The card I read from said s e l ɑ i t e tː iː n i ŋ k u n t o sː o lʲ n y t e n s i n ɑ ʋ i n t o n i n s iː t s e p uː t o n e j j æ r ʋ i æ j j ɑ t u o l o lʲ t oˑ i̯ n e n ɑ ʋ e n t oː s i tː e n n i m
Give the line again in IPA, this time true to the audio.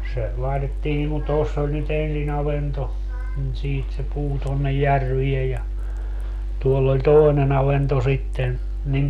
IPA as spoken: s e l ɑ i t e tː iː n i ŋ k u n t o sː o lʲ n y t e n s i n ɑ ʋ e n t o n i n s iː t s e p uː t o nː e j j æ r ʋ i e j j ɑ t u o lː o lʲ t oˑ i̯ n e n ɑ ʋ e n t o s i tː e n n i m